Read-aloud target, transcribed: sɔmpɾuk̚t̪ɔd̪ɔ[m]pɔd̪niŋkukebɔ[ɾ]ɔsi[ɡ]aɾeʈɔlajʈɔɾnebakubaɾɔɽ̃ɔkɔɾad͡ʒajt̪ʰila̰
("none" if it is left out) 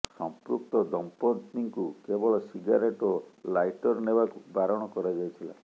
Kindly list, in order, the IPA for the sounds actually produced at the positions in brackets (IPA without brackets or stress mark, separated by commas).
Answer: m, ɭ, ɡ